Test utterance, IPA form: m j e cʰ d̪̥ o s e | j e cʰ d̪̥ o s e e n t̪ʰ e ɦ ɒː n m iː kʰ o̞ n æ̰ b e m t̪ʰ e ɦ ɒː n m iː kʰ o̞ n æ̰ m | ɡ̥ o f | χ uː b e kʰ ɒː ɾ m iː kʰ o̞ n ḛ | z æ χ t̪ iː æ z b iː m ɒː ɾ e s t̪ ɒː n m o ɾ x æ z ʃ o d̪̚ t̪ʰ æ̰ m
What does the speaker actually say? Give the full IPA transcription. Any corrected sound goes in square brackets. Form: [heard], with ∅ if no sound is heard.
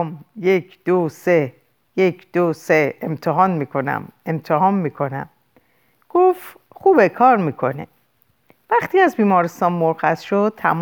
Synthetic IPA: m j e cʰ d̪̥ o s e | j e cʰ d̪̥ o s e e [m] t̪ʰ e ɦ ɒː n m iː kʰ o̞ n æ̰ [m] e m t̪ʰ e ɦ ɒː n m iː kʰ o̞ n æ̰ m | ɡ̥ o f | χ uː b e kʰ ɒː ɾ m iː kʰ o̞ n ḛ | [v] æ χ t̪ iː æ z b iː m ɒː ɾ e s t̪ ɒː n m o ɾ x æ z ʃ o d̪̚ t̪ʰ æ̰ m